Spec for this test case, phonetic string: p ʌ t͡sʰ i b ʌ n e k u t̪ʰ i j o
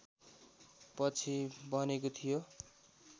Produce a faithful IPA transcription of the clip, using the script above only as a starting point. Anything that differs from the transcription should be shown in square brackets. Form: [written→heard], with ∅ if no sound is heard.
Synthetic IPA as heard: p ʌ t͡sʰ i b ʌ n e k [u→o] t̪ʰ i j o